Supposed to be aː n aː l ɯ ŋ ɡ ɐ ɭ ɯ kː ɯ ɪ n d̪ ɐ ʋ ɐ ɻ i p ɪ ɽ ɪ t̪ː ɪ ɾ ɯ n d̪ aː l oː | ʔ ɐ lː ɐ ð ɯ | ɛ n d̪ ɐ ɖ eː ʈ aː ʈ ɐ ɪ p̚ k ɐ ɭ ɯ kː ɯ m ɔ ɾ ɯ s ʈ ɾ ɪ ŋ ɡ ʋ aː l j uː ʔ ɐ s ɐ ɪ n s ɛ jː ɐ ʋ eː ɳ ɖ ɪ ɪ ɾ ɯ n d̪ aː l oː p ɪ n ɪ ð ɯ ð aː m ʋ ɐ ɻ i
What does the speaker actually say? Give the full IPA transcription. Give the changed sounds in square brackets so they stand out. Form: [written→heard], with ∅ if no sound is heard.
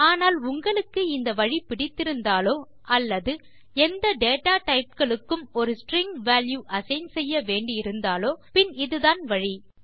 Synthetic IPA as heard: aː n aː l [ɯ→ʊ] ŋ ɡ ɐ ɭ ɯ kː ɯ ɪ n d̪ ɐ ʋ ɐ ɻ i p ɪ ɽ ɪ t̪ː ɪ ɾ ɯ n d̪ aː l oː | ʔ ɐ lː ɐ ð ɯ | ɛ n d̪ ɐ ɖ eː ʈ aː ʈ ɐ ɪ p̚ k ɐ ɭ ɯ kː ɯ m ɔ ɾ ɯ s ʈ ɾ ɪ ŋ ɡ ʋ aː l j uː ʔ ɐ s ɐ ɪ n s ɛ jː ɐ ʋ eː ɳ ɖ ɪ ɪ ɾ ɯ n d̪ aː l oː p ɪ n ɪ ð ɯ ð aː [m→n] ʋ ɐ ɻ i

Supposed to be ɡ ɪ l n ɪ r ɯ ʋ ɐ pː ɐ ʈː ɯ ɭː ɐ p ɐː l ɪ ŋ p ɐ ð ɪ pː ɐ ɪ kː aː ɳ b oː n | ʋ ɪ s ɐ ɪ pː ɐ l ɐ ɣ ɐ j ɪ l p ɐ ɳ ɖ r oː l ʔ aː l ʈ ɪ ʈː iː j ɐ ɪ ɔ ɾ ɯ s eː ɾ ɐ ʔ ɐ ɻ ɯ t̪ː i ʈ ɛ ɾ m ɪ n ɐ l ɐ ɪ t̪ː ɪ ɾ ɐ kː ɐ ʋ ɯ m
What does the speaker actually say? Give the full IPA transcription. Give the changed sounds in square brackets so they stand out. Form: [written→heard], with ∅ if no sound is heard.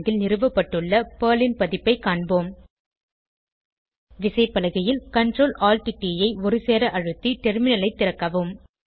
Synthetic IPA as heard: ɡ ɪ l n ɪ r ɯ ʋ ɐ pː ɐ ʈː ɯ ɭː ɐ p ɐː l ɪ [ŋ→n] p ɐ ð ɪ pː ɐ ɪ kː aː ɳ b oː [n→m] | ʋ ɪ s ɐ ɪ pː ɐ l ɐ ɣ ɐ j ɪ l [p→k] ɐ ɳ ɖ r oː l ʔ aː l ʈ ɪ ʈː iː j ɐ ɪ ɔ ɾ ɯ s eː ɾ ɐ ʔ ɐ ɻ ɯ t̪ː i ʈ ɛ ɾ m ɪ n ɐ l ɐ ɪ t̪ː ɪ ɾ ɐ kː ɐ ʋ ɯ m

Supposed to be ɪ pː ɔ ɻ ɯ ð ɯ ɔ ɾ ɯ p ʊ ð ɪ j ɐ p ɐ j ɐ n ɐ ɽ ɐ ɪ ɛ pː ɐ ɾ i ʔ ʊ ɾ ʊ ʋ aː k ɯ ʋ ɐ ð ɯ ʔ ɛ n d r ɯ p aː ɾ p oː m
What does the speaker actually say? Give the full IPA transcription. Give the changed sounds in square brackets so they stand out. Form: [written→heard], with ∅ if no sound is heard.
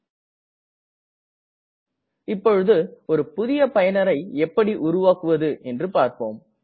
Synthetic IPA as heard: ɪ pː ɔ ɻ ɯ ð ɯ ɔ ɾ ɯ p ʊ ð ɪ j ɐ p ɐ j ɐ n ɐ [ɽ→ɾ] ɐ ɪ ɛ pː ɐ [ɾ→ɽ] i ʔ ʊ ɾ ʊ ʋ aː k ɯ ʋ ɐ ð ɯ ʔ ɛ n d r ɯ p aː ɾ p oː m

